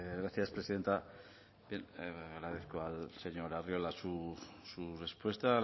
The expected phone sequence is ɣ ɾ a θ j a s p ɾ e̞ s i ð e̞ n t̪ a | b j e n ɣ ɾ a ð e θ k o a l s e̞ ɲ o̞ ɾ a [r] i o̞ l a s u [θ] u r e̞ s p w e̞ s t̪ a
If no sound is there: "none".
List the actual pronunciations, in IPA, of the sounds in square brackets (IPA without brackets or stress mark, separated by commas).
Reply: r, s